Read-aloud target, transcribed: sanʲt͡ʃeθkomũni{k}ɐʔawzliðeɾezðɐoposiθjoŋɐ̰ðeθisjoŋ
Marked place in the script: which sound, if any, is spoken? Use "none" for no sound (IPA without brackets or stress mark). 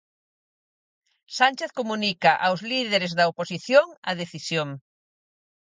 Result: k